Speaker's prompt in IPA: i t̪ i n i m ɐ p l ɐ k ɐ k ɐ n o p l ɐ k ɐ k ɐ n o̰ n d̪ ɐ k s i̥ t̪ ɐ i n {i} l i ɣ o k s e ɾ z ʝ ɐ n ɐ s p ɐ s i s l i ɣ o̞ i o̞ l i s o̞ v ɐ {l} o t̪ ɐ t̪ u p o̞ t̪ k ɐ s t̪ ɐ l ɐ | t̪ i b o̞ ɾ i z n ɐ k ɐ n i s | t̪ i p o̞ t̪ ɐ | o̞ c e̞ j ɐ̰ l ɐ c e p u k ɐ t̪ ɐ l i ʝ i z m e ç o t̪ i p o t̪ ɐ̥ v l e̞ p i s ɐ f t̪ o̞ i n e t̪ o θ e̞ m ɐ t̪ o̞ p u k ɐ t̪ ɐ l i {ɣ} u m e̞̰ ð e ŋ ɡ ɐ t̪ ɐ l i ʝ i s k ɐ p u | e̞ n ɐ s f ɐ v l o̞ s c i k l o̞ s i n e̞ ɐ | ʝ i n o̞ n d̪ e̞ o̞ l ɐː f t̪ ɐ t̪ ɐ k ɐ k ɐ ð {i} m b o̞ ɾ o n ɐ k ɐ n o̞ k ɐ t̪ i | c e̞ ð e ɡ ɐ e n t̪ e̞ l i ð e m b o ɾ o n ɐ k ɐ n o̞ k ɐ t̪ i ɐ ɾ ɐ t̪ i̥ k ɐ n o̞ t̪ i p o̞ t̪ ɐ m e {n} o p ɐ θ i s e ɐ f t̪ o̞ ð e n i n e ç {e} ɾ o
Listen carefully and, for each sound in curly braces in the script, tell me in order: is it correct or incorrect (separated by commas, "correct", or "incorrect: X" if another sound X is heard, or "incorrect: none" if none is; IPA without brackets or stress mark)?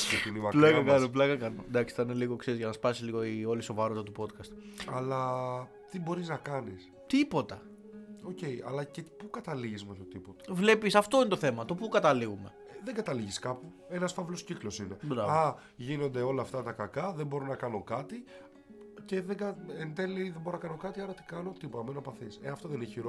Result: incorrect: e, incorrect: ɾ, correct, incorrect: e, correct, incorrect: i